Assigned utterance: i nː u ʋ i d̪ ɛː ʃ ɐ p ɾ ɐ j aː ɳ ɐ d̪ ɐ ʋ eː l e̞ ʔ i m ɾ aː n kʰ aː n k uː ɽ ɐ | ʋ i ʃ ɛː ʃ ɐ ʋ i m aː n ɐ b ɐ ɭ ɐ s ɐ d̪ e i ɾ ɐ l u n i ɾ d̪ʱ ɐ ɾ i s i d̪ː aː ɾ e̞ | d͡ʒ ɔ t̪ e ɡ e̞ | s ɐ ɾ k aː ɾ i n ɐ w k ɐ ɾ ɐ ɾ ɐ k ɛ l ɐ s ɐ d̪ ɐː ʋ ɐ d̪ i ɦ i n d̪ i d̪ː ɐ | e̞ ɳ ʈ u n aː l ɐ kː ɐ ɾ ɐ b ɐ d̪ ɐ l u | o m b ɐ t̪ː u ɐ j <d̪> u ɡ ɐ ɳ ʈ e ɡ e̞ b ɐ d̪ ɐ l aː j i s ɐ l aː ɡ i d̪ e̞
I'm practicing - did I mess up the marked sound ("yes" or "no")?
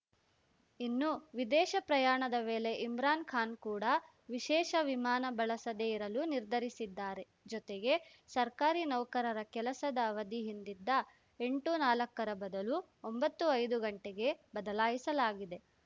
no